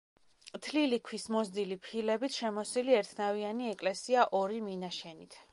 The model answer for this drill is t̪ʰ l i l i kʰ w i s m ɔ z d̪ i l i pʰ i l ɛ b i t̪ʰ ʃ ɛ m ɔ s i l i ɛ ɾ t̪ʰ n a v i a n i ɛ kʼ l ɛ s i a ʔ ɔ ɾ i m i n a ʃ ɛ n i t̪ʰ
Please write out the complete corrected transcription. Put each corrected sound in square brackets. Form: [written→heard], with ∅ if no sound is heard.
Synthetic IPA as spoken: t̪ʰ l i l i kʰ w i s m ɔ z d̪ i l i pʰ i l ɛ b i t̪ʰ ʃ ɛ m ɔ s i l i ɛ ɾ t̪ʰ n a v i a n i ɛ kʼ l ɛ s i a ʔ ɔ ɾ i m i n a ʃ ɛ n i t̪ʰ